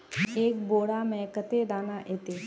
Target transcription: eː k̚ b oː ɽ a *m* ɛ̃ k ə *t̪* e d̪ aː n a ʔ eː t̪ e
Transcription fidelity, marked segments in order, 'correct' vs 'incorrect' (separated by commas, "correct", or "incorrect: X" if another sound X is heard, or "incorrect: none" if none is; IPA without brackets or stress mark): correct, correct